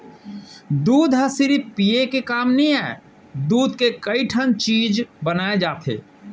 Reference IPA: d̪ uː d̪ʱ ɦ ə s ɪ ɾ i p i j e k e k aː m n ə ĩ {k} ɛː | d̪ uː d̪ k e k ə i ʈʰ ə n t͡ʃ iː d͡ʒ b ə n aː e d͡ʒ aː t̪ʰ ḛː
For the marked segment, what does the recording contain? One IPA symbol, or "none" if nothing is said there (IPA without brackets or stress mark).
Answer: none